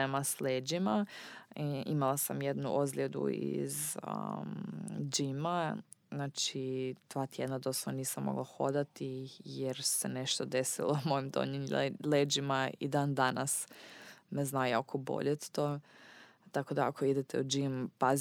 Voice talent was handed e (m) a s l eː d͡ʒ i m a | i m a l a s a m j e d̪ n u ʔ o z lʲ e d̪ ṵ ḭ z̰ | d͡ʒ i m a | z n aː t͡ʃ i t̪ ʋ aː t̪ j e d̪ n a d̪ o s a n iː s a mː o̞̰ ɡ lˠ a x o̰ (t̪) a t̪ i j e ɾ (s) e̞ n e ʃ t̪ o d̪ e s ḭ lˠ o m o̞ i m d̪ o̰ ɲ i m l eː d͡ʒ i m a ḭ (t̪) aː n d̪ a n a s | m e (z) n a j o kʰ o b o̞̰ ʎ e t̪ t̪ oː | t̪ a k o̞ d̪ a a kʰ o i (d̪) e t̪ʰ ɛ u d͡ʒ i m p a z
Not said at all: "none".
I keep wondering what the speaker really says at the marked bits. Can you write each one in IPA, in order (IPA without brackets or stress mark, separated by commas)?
m, d̪, s, d̪, z, d̪